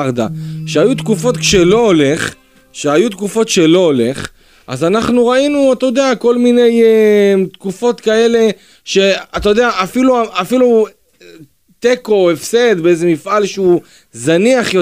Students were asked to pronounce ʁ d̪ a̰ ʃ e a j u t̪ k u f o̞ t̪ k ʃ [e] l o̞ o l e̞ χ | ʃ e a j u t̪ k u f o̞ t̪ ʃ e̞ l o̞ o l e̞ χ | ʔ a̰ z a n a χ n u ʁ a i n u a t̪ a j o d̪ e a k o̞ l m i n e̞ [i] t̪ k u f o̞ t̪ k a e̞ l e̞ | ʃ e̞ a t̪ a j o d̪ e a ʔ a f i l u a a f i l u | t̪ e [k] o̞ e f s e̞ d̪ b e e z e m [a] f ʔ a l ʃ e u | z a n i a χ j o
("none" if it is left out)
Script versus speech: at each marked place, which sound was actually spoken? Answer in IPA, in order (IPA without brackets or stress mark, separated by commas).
e, j, k, i